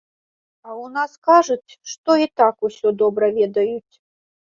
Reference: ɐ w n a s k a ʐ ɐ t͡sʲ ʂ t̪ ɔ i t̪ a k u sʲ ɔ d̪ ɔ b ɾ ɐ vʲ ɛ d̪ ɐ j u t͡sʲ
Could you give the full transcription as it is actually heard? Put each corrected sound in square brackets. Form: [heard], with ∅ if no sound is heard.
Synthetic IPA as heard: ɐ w n a s k a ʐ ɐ t͡sʲ ʂ t̪ ɔ i t̪ a k u sʲ ɔ d̪ ɔ b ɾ ɐ vʲ ɛ d̪ ɐ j u t͡sʲ

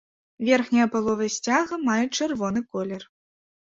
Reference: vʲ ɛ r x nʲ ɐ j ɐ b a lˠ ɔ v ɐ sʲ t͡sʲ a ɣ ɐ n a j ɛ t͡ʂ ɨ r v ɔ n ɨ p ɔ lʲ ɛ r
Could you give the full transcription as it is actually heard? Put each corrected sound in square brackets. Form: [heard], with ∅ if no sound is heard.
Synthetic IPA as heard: vʲ ɛ r x nʲ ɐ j ɐ [p] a lˠ ɔ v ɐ sʲ t͡sʲ a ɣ ɐ [m] a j ɛ t͡ʂ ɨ r v ɔ n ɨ [k] ɔ lʲ ɛ r

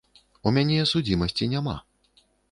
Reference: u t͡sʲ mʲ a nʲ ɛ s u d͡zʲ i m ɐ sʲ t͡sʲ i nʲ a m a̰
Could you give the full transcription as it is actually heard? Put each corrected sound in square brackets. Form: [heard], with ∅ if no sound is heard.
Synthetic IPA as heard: u [∅] mʲ a nʲ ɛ s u d͡zʲ i m ɐ sʲ t͡sʲ i nʲ a m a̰

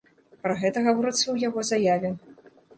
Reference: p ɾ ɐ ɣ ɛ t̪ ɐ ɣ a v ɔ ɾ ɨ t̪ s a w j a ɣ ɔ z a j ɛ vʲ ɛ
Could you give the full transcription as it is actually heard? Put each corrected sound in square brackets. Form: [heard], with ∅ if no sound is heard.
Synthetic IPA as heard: p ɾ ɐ ɣ ɛ t̪ ɐ ɣ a v ɔ ɾ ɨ t̪ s [ɐ] w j a ɣ ɔ z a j [a] vʲ ɛ

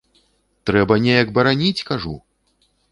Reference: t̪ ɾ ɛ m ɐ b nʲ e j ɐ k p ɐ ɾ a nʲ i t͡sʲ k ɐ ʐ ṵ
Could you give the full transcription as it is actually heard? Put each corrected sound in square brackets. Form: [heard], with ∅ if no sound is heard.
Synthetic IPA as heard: t̪ ɾ ɛ [b] ɐ [∅] nʲ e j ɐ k [b] ɐ ɾ a nʲ i t͡sʲ k [a] ʐ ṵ

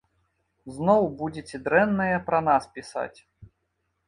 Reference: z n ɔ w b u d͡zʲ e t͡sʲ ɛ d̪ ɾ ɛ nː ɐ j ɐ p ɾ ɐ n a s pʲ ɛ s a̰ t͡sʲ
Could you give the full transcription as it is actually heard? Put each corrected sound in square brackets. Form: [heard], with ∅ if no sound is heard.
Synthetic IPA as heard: z n ɔ w b u d͡zʲ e t͡sʲ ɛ d̪ ɾ ɛ nː ɐ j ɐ p ɾ ɐ n a s pʲ [i] s a̰ t͡sʲ

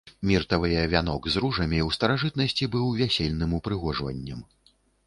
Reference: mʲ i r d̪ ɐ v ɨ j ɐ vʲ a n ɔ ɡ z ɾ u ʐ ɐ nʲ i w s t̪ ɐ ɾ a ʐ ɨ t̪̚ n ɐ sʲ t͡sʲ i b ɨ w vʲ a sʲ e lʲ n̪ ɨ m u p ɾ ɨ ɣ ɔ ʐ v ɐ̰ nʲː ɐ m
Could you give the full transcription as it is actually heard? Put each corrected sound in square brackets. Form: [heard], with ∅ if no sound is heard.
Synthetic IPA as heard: mʲ i r [t̪] ɐ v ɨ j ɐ vʲ a n ɔ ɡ z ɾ u ʐ ɐ [mʲ] i w s t̪ ɐ ɾ a ʐ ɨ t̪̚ n ɐ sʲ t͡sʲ i b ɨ w vʲ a sʲ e lʲ n̪ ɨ m u p ɾ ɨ ɣ ɔ ʐ v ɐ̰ nʲː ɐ m

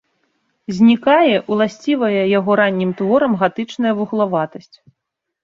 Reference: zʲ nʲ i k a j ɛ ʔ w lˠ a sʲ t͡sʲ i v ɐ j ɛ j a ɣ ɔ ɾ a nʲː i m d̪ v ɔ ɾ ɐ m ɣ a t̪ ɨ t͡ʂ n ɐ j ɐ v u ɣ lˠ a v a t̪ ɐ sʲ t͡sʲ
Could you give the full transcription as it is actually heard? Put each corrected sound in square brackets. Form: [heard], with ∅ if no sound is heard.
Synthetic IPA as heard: zʲ nʲ i k a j ɛ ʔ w lˠ a sʲ t͡sʲ i v ɐ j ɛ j a ɣ ɔ ɾ a nʲː i m [t̪] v ɔ ɾ ɐ m ɣ a t̪ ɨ t͡ʂ n ɐ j ɐ v u ɣ lˠ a v a t̪ ɐ sʲ t͡sʲ

